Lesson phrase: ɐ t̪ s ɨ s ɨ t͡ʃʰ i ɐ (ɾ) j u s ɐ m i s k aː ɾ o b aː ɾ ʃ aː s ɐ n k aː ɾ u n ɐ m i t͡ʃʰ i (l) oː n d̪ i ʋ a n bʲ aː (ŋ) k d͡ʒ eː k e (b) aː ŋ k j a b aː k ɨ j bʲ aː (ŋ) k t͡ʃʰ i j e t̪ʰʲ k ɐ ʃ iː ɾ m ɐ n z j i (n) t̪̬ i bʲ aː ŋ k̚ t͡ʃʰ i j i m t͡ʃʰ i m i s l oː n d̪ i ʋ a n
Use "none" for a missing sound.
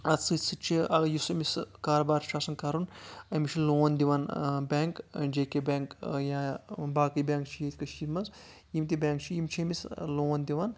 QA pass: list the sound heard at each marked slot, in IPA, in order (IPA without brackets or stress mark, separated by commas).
none, l, ŋ, b, ŋ, m